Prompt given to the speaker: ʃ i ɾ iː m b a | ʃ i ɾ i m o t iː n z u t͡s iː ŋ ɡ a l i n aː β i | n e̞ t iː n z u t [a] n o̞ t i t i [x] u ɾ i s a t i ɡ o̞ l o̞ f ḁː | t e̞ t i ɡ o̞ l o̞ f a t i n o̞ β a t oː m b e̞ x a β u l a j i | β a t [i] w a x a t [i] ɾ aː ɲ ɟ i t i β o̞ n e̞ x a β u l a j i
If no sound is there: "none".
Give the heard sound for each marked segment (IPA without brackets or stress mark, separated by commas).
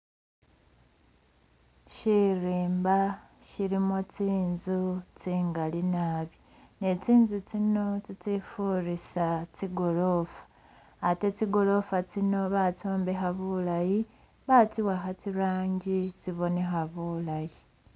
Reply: i, f, i, i